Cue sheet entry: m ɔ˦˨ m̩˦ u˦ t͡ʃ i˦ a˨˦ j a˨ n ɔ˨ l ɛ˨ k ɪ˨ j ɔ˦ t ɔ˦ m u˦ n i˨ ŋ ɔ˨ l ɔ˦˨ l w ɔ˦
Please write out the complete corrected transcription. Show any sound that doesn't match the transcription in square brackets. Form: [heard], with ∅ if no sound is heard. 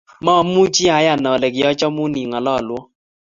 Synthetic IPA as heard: m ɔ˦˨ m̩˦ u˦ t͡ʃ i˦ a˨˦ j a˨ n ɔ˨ l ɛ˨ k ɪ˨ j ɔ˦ [t͡ʃ] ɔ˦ m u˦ n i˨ ŋ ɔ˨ l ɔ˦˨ l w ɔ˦